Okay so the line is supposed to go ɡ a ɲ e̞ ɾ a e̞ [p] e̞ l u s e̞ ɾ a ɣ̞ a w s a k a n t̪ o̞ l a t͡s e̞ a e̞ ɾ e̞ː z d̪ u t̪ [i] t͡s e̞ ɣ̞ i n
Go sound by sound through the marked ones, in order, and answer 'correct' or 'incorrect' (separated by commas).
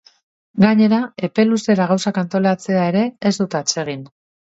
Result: correct, incorrect